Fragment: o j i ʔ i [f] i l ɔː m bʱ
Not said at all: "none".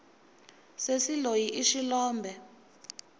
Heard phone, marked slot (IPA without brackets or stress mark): ʃ